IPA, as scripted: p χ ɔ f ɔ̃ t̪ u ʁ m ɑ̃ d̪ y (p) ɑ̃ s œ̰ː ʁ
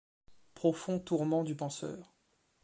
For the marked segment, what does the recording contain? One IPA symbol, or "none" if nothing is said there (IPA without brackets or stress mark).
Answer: p